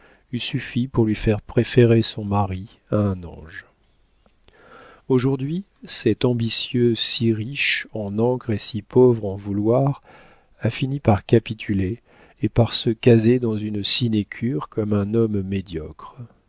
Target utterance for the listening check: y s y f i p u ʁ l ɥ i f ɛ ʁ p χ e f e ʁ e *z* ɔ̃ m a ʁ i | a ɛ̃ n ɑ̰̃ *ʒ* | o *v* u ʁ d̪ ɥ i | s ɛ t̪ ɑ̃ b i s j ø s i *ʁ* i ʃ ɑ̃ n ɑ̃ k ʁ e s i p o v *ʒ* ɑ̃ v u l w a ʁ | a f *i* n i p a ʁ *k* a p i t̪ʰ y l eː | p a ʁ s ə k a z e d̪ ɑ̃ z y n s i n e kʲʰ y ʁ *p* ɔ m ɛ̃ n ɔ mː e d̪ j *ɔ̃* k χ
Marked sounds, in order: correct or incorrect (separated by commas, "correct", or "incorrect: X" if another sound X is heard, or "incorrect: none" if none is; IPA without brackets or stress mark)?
incorrect: s, correct, incorrect: ʒ, correct, incorrect: ʁ, correct, correct, incorrect: k, incorrect: ɔ